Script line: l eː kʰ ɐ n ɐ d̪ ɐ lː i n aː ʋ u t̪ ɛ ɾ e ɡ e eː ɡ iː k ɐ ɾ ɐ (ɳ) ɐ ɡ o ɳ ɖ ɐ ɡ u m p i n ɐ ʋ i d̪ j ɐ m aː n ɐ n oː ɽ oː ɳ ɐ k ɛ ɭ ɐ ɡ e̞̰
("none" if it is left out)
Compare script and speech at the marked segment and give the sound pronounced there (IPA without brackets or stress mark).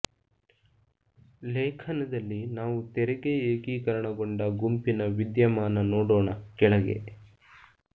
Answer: ɳ